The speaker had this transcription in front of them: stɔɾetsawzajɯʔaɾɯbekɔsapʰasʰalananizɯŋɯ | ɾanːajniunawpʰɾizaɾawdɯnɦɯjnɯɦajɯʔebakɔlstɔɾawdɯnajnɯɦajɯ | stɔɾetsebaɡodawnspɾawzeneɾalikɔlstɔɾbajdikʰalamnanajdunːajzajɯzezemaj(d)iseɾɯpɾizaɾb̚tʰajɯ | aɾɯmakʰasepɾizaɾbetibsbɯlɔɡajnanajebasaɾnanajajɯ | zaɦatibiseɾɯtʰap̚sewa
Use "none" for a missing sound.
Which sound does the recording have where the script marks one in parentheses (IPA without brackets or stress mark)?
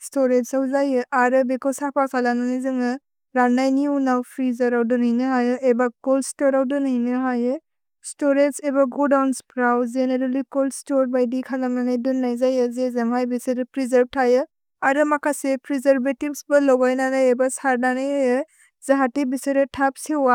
b